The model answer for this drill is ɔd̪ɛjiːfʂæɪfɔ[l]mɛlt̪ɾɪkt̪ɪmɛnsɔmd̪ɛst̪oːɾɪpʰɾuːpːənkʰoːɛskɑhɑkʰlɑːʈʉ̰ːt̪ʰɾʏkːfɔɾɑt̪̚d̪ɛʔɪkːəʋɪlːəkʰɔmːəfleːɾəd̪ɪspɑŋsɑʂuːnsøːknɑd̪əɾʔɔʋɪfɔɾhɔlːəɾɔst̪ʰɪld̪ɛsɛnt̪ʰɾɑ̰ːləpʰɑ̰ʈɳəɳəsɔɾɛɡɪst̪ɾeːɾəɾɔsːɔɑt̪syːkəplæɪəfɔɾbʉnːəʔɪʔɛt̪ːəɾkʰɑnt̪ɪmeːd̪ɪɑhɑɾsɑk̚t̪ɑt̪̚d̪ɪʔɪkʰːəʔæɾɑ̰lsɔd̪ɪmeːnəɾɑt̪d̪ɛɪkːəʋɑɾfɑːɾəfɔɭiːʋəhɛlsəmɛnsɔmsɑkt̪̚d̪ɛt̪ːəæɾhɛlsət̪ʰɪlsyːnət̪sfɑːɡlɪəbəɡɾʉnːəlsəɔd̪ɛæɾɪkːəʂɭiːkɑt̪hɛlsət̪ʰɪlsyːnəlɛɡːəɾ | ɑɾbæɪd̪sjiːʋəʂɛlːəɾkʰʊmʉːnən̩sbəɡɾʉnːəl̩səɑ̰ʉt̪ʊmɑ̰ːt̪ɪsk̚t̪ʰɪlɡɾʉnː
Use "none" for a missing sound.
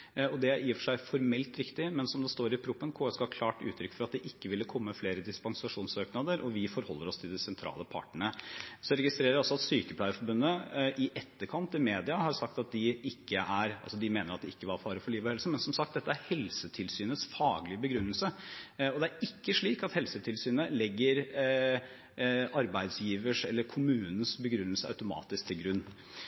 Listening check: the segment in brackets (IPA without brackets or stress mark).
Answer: ɾ